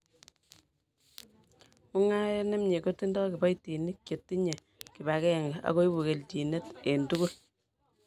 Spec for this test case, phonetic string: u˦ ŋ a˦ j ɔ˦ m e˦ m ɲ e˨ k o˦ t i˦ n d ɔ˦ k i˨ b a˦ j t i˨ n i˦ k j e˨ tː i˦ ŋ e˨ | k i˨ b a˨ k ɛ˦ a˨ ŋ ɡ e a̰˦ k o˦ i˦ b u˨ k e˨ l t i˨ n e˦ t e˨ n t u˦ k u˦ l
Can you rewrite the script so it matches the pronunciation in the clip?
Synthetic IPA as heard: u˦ ŋ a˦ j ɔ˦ n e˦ m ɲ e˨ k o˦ t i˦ n d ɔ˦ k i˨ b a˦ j t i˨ n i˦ k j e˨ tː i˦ ɲ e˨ | k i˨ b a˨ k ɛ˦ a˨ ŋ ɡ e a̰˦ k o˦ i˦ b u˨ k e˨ l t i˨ n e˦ t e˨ n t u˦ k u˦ l